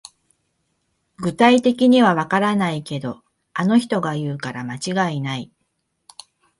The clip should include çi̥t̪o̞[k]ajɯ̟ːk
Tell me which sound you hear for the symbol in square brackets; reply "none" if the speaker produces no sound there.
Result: ɡ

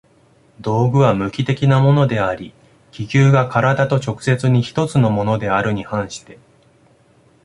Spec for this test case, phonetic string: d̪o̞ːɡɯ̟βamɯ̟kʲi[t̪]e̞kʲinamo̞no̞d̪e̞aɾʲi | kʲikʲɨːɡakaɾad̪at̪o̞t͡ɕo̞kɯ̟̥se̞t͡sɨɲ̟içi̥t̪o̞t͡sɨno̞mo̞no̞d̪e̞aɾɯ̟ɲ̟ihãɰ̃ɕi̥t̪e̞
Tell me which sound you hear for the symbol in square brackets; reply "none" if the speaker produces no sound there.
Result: t̪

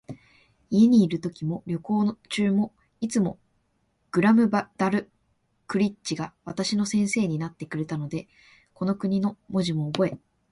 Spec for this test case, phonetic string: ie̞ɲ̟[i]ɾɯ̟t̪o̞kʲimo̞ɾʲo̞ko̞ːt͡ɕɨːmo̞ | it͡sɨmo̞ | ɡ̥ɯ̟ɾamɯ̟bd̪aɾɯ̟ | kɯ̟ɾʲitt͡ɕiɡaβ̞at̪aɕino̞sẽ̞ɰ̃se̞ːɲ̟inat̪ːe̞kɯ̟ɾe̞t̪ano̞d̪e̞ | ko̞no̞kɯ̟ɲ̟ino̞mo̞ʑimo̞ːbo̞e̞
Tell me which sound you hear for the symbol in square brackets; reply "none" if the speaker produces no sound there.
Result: iː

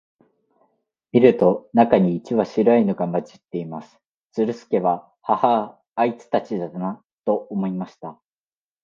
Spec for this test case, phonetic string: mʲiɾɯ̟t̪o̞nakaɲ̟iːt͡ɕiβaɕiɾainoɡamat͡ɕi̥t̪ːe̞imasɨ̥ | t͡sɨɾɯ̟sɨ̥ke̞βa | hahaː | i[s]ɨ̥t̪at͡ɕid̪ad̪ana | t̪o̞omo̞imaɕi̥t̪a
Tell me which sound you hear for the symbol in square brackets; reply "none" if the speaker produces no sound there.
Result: t͡s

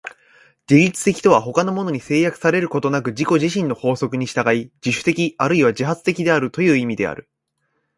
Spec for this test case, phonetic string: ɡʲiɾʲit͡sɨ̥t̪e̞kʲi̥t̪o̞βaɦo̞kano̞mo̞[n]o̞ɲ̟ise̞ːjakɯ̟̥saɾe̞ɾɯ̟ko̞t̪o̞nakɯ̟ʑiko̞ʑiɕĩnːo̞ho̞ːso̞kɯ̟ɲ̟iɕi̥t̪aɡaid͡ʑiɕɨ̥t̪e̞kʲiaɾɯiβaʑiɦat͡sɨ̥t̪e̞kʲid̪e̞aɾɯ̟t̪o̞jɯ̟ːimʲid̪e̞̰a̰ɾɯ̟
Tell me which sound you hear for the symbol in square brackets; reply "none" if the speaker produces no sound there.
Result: n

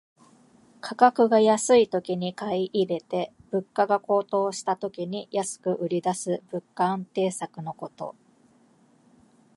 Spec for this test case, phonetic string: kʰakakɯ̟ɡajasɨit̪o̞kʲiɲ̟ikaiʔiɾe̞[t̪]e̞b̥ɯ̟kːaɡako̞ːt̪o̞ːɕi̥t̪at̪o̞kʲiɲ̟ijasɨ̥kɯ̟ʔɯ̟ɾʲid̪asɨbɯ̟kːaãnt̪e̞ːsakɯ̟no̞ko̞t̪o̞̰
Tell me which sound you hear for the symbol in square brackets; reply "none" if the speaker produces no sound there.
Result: t̪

